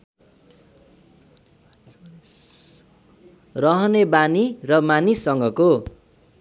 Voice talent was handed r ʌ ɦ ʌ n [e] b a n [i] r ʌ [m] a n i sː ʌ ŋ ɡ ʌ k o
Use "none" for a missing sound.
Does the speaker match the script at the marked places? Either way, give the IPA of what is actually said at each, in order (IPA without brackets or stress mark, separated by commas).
e, i, m